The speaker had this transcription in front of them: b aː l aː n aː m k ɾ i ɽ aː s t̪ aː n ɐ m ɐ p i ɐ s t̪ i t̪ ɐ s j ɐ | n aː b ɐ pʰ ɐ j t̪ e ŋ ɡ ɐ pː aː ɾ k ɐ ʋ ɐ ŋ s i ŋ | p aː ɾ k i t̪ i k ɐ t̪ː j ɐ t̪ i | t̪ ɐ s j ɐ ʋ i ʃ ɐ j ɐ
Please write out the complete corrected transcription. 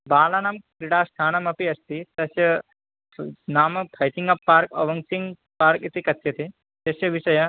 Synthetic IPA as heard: b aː l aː n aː m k ɾ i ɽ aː s t̪ʰ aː n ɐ m ɐ p i ɐ s t̪ i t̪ ɐ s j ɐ | n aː m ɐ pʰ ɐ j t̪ i ŋ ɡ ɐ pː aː ɾ k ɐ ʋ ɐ ŋ s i ŋ | p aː ɾ k i t̪ i k ɐ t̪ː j ɐ t̪ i | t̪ ɐ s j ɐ ʋ i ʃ ɐ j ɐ